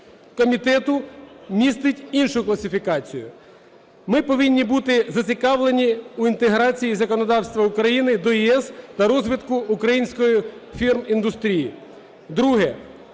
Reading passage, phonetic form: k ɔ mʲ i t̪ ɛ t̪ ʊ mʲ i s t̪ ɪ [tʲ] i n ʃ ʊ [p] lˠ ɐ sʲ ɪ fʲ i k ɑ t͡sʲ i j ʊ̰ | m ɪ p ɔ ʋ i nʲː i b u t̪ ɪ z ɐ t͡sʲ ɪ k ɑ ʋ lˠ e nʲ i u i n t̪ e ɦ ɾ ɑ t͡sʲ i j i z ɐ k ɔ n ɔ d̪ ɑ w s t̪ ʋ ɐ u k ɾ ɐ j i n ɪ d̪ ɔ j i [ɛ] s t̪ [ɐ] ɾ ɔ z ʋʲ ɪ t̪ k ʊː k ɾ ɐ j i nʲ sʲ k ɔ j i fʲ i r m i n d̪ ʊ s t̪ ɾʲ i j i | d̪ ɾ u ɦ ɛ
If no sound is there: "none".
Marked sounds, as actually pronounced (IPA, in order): tʲ, k, ɛ, ɐ

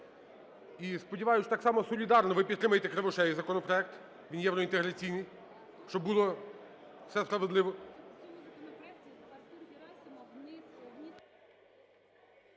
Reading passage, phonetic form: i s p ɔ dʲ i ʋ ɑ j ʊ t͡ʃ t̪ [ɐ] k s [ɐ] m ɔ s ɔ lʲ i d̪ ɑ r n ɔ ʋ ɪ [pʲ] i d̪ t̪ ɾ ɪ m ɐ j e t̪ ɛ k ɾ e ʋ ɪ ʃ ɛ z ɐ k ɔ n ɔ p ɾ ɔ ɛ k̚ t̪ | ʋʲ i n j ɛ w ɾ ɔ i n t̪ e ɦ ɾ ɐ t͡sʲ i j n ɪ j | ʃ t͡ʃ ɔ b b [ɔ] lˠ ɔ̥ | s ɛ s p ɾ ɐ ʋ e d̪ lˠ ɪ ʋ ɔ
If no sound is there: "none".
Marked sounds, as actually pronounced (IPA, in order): ɑ, ɑ, pʲ, u

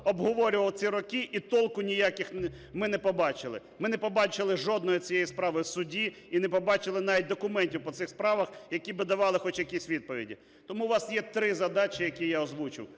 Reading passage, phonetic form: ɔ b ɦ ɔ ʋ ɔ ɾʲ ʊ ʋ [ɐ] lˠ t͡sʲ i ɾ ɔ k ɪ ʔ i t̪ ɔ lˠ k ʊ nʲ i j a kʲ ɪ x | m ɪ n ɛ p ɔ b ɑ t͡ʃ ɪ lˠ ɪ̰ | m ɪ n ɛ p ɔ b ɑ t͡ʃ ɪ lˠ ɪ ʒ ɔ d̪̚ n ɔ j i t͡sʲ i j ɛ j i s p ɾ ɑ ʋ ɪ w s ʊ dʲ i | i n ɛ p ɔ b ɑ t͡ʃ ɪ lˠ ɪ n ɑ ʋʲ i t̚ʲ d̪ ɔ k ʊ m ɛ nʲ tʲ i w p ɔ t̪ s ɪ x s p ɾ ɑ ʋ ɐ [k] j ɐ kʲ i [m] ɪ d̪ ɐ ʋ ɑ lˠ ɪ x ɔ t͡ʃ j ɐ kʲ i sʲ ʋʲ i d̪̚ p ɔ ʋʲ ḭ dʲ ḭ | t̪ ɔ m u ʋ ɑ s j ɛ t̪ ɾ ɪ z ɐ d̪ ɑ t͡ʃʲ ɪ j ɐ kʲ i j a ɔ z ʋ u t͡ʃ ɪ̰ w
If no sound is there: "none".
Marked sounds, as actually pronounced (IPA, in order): ɐ, x, b

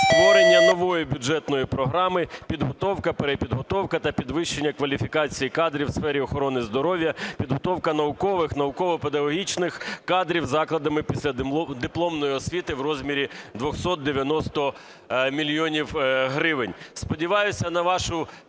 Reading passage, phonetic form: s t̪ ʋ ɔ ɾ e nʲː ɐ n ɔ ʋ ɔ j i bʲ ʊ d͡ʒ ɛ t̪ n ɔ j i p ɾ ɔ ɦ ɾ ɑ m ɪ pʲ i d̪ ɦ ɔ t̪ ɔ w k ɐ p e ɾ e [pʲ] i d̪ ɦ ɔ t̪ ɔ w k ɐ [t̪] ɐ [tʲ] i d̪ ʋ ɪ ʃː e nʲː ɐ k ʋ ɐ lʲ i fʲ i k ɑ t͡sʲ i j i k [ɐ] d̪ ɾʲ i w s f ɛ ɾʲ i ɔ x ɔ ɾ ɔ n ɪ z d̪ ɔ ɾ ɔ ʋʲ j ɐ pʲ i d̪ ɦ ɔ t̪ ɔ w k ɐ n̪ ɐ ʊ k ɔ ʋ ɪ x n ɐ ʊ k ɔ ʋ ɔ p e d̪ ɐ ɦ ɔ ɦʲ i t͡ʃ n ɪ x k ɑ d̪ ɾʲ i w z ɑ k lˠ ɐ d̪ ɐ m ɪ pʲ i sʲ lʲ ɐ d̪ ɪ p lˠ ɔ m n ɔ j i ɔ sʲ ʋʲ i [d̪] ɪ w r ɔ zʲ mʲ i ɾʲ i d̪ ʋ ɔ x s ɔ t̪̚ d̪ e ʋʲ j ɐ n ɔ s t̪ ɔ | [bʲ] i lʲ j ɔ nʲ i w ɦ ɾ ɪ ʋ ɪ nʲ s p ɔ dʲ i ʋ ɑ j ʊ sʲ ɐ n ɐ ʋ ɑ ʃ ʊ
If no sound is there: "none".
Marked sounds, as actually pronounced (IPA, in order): pʲ, t̪, pʲ, ɑ, t̪, mʲ

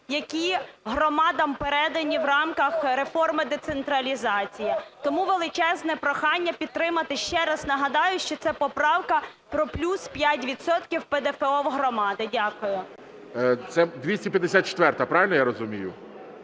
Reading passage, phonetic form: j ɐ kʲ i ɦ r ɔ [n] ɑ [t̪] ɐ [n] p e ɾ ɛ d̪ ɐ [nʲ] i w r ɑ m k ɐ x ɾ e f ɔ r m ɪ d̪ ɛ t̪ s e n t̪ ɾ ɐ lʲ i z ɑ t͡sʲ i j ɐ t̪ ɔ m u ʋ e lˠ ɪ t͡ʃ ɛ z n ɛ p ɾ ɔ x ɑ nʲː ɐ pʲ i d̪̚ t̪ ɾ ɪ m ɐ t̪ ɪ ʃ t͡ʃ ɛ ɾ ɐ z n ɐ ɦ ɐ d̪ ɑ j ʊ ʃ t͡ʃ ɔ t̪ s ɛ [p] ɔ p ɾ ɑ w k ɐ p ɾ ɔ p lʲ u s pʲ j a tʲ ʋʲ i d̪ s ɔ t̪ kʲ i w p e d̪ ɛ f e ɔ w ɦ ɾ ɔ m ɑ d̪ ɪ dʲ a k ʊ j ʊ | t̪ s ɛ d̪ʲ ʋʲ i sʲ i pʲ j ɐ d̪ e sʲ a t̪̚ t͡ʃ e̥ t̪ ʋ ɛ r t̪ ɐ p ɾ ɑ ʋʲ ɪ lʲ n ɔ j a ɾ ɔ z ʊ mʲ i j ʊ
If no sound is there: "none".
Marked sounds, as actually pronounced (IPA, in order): m, d̪, m, nʲ, p

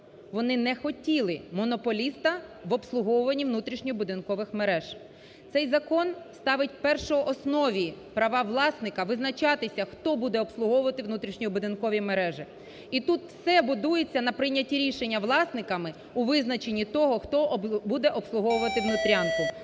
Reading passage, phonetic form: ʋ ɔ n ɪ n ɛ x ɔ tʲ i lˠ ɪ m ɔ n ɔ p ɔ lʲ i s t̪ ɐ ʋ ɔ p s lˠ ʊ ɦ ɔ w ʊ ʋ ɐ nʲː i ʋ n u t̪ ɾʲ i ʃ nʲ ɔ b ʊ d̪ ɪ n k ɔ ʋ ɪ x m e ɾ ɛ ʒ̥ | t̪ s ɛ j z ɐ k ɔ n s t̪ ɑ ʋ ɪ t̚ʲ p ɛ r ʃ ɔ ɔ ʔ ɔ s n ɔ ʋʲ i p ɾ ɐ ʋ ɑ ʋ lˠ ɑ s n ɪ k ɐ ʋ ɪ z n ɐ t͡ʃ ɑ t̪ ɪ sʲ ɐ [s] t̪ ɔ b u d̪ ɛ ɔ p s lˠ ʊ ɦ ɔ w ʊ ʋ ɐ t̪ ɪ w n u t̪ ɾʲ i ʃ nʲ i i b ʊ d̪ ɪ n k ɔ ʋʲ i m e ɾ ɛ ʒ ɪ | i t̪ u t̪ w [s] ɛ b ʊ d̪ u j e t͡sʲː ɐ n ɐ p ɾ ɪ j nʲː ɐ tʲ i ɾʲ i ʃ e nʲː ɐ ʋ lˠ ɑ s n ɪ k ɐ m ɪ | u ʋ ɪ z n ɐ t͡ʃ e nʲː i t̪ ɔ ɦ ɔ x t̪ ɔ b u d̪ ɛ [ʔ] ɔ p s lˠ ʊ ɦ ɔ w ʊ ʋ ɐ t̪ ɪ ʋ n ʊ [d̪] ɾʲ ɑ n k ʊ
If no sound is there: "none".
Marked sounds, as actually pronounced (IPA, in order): x, s, ʔ, t̪

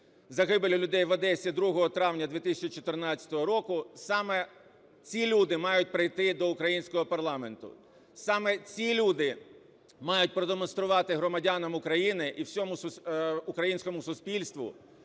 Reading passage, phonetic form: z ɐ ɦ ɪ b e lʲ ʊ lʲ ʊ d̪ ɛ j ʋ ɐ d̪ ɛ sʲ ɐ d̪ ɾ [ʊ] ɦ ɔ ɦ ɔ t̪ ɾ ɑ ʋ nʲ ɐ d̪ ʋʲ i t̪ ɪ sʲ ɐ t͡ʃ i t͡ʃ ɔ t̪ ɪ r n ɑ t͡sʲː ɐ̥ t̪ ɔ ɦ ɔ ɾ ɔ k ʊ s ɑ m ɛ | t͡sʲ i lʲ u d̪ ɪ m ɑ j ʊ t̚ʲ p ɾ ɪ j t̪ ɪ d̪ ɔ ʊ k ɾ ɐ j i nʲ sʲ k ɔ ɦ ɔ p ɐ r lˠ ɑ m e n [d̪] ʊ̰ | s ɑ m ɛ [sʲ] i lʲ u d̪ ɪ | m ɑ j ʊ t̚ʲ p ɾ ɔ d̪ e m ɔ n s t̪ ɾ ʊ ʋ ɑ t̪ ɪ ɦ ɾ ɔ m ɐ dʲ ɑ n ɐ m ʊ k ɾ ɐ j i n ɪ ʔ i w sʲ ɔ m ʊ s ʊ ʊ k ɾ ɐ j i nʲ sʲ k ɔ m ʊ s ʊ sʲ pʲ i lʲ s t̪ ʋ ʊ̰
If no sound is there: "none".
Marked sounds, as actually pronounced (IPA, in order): u, t̪, t͡sʲ

